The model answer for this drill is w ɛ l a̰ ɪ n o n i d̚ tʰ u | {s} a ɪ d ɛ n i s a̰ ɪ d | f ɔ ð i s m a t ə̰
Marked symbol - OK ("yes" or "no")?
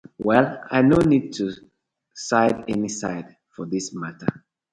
yes